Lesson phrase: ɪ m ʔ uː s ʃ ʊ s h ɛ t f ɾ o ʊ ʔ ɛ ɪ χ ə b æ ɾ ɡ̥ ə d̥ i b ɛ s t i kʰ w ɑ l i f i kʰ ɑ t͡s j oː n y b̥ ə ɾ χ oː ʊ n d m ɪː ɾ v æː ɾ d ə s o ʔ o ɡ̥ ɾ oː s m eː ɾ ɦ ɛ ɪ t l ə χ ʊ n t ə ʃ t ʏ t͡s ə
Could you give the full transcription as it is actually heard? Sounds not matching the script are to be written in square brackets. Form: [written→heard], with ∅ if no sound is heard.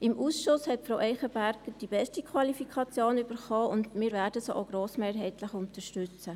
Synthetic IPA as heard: ɪ m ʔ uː s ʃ ʊ s h ɛ t f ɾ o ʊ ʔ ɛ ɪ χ ə b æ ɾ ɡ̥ ə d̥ i b ɛ s t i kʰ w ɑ l i f i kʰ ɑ t͡s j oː n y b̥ ə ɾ χ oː ʊ n d m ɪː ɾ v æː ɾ d ə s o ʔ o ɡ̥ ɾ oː s m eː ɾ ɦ ɛ ɪ t l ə χ ʊ n t ə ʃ t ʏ t͡s ə